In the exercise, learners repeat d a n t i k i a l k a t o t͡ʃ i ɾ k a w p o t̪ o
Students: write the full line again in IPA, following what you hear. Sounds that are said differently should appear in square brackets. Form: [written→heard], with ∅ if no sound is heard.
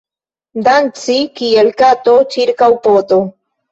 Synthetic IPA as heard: d a n [t→t͡s] i k i [a→e] l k a t o t͡ʃ i ɾ k a w p o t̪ o